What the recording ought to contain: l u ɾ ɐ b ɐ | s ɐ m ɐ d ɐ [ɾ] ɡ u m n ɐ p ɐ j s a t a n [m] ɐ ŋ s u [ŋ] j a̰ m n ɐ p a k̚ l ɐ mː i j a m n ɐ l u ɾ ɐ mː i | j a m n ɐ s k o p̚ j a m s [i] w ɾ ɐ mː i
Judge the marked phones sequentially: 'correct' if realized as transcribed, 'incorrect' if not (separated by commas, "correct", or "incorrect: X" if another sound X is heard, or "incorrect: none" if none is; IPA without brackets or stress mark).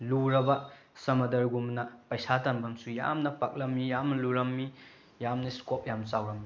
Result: correct, incorrect: b, incorrect: none, incorrect: a